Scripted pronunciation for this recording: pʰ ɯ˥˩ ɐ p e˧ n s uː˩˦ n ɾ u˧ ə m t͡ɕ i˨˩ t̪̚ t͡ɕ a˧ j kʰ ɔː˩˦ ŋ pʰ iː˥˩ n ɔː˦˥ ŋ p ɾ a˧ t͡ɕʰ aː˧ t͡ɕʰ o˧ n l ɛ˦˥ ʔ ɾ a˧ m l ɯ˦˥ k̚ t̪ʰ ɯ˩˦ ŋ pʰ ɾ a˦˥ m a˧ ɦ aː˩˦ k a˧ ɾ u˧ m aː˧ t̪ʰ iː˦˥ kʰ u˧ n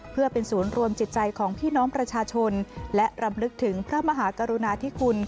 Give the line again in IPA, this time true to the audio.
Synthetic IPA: pʰ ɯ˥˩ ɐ p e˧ n s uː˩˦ n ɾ u˧ ə m t͡ɕ i˨˩ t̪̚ t͡ɕ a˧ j kʰ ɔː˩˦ ŋ pʰ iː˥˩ n ɔː˦˥ ŋ p ɾ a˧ t͡ɕʰ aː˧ t͡ɕʰ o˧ n l ɛ˦˥ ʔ ɾ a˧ m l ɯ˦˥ k̚ t̪ʰ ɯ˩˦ ŋ pʰ ɾ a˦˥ m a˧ ɦ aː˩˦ k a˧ ɾ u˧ n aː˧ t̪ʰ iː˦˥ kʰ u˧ n

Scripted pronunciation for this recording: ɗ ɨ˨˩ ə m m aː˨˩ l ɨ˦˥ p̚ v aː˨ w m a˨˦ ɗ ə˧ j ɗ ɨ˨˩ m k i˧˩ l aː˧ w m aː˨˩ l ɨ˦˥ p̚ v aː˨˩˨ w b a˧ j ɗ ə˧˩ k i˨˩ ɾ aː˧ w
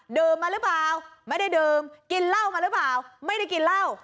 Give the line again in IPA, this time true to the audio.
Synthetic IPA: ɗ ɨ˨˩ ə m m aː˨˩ l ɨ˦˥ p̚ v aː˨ w m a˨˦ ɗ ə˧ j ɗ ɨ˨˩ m k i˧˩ l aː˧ w m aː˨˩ l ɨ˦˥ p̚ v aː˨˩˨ w m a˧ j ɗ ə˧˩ k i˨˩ l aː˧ w

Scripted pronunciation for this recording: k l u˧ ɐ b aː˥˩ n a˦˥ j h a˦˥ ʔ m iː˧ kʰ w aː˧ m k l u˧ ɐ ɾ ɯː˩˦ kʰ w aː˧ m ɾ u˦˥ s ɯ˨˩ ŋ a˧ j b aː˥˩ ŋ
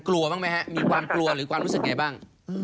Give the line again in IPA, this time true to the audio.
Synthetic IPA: k l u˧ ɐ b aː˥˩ m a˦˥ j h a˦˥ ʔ m iː˧ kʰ w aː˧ m k l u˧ ɐ ɾ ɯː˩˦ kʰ w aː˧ m ɾ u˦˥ s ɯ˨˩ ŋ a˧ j b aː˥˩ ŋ

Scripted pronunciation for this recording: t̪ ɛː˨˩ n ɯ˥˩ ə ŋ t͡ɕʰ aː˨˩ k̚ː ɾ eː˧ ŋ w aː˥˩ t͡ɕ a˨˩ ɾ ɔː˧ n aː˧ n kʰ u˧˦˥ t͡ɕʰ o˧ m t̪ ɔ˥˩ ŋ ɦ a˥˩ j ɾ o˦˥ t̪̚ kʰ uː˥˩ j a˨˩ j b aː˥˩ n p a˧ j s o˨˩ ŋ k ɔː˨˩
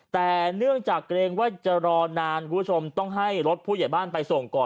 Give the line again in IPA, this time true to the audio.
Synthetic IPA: t̪ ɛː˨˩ n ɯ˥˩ ə ŋ t͡ɕ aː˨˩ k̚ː ɾ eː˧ ŋ w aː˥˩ t͡ɕ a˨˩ ɾ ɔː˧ n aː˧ n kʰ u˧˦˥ t͡ɕʰ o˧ m t̪ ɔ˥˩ ŋ ɦ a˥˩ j ɾ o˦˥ t̪̚ pʰ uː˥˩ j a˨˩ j b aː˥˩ n p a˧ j s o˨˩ ŋ k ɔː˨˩

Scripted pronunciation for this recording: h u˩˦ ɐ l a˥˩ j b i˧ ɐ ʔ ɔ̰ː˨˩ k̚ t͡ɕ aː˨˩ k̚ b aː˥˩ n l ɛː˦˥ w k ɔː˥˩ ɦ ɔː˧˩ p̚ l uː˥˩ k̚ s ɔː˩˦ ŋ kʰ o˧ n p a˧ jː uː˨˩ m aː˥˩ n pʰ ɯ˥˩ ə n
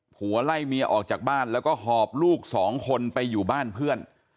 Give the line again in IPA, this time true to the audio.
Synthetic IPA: h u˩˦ ɐ l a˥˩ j m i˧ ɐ ʔ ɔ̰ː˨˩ k̚ t͡ɕ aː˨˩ k̚ b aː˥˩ n l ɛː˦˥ w k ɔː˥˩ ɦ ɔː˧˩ p̚ l uː˥˩ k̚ s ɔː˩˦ ŋ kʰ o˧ n p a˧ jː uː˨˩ b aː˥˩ n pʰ ɯ˥˩ ə n

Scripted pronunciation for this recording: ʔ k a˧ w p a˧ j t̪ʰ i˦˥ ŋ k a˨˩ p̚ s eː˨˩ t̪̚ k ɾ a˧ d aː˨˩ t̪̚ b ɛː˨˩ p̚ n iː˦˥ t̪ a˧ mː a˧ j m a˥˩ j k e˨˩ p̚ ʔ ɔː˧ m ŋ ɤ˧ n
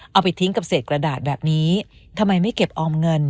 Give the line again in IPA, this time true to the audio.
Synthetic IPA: ʔ ʔ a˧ w p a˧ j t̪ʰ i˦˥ ŋ k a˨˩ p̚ s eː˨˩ t̪̚ k ɾ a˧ d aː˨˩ t̪̚ b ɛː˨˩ p̚ n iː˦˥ t̪ʰ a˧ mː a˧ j m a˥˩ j k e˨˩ p̚ ʔ ɔː˧ m ŋ ɤ˧ n

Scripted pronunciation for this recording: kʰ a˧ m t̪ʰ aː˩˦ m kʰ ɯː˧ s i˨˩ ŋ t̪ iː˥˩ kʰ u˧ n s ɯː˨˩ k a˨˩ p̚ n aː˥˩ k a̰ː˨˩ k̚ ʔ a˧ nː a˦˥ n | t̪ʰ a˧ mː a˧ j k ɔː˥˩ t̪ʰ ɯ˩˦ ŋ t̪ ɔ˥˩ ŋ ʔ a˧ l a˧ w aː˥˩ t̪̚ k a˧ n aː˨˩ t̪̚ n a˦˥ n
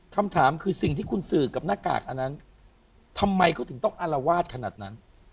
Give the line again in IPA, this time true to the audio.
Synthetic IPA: kʰ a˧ m t̪ʰ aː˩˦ m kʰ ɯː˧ s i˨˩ ŋ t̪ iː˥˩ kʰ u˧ n s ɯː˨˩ k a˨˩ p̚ n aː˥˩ k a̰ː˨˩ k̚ ʔ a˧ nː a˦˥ n | t̪ʰ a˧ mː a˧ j k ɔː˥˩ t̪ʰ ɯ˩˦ ŋ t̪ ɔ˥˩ ŋ ʔ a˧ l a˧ w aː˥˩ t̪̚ kʰ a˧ n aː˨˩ t̪̚ n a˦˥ n

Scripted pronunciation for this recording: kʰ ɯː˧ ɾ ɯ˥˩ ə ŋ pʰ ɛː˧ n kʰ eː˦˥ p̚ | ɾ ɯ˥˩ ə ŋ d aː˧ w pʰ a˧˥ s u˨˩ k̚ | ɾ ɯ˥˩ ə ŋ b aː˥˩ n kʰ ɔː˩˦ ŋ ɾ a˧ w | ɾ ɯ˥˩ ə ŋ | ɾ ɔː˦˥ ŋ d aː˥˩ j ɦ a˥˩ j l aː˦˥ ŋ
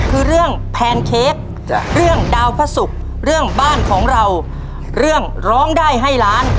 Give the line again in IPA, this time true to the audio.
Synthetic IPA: kʰ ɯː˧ ɾ ɯ˥˩ ə ŋ pʰ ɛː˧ n kʰ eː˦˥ k̚ | ɾ ɯ˥˩ ə ŋ d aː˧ w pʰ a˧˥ s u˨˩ k̚ | ɾ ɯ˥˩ ə ŋ b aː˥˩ n kʰ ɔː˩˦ ŋ ɾ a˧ w | ɾ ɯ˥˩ ə ŋ | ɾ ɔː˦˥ ŋ d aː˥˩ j ɦ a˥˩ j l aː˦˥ n

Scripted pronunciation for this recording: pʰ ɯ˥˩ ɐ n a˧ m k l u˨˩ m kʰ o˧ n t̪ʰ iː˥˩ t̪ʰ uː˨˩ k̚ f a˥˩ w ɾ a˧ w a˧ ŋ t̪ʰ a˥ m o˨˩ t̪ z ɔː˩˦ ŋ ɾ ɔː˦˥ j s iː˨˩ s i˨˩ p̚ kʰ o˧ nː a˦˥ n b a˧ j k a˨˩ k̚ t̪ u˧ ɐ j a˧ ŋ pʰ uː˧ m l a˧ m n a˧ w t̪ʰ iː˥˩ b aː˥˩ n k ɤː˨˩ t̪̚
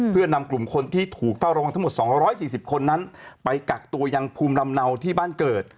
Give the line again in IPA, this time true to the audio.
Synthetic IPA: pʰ ɯ˥˩ ɐ n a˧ m k l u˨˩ m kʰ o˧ n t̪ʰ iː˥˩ t̪ʰ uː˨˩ k̚ f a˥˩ w ɾ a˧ w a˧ ŋ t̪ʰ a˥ m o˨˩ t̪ s ɔː˩˦ ŋ ɾ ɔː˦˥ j s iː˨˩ s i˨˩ p̚ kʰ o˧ nː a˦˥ n p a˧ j k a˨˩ k̚ t̪ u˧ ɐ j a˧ ŋ pʰ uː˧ m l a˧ m n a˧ w t̪ʰ iː˥˩ b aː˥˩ n k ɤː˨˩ t̪̚

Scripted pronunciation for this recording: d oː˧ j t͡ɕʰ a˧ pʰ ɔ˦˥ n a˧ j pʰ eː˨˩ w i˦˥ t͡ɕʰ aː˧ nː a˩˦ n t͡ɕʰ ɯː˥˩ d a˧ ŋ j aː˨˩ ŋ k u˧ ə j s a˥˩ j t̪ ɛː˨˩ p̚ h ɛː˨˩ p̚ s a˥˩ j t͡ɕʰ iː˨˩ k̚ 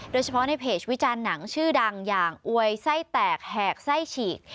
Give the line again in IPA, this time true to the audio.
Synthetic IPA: d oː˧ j t͡ɕʰ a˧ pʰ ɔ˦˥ n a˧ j pʰ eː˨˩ w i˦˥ t͡ɕ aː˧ nː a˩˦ ŋ t͡ɕʰ ɯː˥˩ d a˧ ŋ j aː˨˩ ŋ ʔ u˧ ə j s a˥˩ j t̪ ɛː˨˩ k̚ h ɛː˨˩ k̚ s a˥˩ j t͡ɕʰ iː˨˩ k̚

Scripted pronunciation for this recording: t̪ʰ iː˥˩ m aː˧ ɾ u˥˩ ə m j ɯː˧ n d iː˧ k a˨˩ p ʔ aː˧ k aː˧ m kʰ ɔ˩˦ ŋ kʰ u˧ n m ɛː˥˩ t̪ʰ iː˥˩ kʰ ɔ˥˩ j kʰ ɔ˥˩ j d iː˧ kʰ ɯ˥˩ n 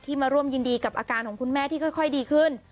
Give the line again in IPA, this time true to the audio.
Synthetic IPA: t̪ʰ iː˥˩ m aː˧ ɾ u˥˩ ə m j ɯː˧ n d iː˧ k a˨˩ p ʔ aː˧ k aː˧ n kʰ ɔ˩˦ ŋ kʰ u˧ n m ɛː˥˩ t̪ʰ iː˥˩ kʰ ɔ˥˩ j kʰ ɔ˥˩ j d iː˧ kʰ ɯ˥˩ n

